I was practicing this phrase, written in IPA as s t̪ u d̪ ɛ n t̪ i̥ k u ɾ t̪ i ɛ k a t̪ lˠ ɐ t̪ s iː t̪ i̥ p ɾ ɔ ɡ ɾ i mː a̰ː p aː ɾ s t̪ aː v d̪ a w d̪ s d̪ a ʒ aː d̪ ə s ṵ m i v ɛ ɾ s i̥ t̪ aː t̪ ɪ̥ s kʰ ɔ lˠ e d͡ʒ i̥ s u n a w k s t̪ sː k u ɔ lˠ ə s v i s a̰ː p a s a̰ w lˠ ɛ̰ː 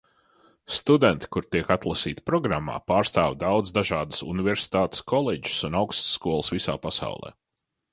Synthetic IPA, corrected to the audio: s t̪ u d̪ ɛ n t̪ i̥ k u ɾ t̪ i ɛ k a t̪ lˠ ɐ s iː t̪ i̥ p ɾ ɔ ɡ ɾ a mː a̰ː p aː ɾ s t̪ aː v d̪ a w d̪ z d̪ a ʒ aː d̪ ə s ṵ n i v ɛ ɾ s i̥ t̪ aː t̪ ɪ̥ s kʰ ɔ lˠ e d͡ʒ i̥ s u n a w k s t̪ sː k u ɔ lˠ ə s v i s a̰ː p a s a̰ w lˠ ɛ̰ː